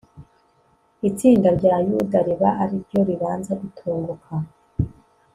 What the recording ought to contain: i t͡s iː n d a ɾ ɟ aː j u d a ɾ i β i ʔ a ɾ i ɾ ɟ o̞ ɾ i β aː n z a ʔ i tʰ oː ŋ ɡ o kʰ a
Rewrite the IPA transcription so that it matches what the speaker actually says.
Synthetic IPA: i t͡s iː n d a ɾ ɟ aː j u d a ɾ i β a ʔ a ɾ i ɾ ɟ o̞ ɾ i β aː n z a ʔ i tʰ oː ŋ ɡ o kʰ a